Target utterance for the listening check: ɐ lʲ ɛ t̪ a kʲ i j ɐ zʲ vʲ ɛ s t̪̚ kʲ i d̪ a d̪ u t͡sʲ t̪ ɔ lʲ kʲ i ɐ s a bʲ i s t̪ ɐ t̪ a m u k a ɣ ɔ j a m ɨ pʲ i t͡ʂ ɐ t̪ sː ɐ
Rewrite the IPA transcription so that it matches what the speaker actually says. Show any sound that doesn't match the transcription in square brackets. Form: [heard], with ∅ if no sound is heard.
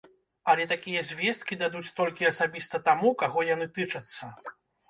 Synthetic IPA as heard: ɐ lʲ ɛ t̪ a kʲ i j ɐ zʲ vʲ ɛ s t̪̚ kʲ i d̪ a d̪ u t͡sʲ t̪ ɔ lʲ kʲ i ɐ s a bʲ i s t̪ ɐ t̪ a m u k a ɣ ɔ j a [n] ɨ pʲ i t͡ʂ ɐ t̪ sː ɐ